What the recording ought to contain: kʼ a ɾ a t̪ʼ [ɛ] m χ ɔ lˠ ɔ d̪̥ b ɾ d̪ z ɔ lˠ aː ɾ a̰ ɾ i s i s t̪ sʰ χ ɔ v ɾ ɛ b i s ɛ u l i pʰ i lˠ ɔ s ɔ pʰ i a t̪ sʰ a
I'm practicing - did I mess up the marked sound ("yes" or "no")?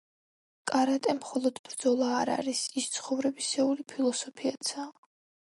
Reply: no